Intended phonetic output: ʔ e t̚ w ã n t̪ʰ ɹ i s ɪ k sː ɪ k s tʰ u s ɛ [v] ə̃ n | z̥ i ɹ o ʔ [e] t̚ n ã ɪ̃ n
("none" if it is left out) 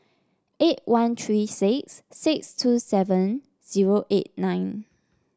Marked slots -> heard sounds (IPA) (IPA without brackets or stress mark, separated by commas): v, e